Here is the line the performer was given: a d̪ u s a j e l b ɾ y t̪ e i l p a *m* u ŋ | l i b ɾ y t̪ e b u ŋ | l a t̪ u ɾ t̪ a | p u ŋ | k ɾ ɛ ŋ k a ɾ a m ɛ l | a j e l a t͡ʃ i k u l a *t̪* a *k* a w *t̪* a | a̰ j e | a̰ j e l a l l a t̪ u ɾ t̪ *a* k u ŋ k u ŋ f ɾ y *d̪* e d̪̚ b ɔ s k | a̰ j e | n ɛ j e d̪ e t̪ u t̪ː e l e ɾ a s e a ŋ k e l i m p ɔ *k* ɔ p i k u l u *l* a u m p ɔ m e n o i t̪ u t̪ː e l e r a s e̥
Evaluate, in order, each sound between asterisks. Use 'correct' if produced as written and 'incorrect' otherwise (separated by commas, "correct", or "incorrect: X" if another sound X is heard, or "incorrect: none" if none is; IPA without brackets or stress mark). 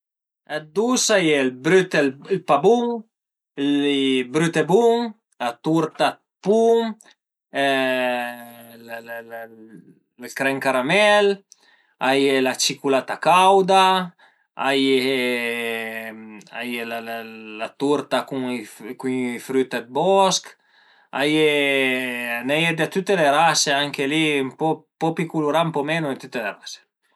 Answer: incorrect: b, correct, correct, incorrect: d̪, correct, incorrect: t̪, incorrect: p, incorrect: ɾ